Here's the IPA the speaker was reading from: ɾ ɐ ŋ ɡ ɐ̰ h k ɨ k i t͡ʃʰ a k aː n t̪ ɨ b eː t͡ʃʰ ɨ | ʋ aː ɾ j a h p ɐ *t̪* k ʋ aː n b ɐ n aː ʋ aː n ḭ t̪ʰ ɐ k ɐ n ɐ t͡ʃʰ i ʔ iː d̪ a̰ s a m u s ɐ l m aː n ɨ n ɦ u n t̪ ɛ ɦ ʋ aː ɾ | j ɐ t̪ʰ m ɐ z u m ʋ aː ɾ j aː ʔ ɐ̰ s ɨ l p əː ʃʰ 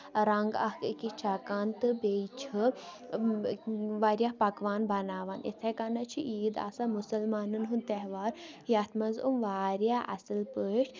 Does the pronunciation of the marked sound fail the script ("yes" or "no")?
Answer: yes